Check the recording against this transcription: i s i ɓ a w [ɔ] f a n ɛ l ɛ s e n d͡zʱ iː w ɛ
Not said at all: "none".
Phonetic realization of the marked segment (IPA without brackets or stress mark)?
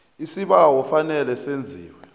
ɔ